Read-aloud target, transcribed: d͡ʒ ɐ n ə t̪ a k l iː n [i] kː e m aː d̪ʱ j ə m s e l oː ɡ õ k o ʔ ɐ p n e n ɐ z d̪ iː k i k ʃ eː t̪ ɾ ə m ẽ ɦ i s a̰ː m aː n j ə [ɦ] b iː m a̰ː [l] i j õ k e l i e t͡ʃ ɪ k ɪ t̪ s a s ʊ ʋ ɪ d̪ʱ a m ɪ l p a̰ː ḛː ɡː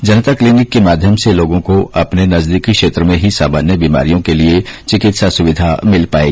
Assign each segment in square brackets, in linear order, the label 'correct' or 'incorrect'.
incorrect: ɪ, incorrect: none, incorrect: ɾ

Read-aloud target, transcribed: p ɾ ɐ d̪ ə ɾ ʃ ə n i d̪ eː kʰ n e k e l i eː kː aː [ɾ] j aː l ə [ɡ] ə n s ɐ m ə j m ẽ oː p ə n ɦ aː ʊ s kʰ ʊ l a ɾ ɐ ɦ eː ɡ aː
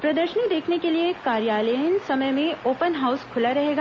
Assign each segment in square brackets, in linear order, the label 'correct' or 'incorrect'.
correct, incorrect: none

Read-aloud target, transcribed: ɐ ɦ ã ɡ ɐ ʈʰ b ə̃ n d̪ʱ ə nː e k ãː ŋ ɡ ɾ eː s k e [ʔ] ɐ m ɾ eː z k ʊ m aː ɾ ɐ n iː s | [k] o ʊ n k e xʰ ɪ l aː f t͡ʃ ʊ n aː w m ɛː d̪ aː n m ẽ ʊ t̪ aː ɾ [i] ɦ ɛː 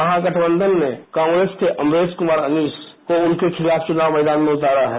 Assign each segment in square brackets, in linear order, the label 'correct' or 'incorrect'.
correct, correct, incorrect: a

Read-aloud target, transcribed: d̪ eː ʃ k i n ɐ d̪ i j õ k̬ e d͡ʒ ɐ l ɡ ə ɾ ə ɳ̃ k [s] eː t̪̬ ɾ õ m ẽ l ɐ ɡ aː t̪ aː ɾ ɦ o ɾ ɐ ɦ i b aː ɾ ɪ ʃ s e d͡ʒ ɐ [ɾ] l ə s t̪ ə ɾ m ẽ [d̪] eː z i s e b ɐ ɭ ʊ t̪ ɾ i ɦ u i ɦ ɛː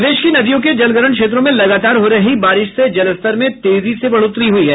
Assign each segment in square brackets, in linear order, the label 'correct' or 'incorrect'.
incorrect: ʃ, incorrect: none, incorrect: t̪

